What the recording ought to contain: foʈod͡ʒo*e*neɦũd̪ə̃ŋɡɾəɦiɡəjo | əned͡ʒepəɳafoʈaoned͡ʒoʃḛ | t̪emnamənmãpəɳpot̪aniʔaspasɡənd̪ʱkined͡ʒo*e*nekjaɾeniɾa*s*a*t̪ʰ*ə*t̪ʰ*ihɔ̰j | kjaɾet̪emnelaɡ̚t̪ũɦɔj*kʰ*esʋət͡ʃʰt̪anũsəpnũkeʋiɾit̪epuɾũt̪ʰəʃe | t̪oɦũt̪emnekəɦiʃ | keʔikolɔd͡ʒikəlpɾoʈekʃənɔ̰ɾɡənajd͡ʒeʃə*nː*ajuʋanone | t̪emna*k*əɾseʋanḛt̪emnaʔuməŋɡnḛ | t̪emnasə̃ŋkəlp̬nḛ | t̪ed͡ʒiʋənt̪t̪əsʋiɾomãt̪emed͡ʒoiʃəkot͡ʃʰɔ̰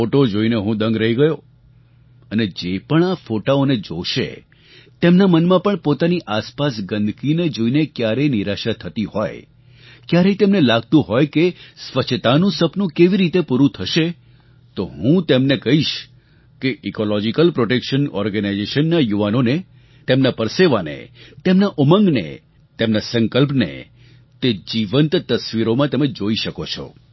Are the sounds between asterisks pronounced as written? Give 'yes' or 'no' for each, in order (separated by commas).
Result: no, no, no, yes, no, no, yes, no